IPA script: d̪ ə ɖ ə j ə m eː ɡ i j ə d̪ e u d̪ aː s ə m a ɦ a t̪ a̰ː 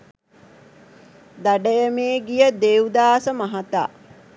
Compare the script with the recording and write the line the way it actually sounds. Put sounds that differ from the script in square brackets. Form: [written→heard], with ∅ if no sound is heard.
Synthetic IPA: d̪ [ə→a] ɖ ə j ə m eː ɡ i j ə d̪ e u d̪ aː s ə m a ɦ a t̪ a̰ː